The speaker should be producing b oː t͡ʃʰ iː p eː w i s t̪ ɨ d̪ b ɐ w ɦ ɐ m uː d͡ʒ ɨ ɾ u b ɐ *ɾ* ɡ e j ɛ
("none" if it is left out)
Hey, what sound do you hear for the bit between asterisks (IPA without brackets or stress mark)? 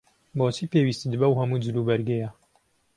ɾ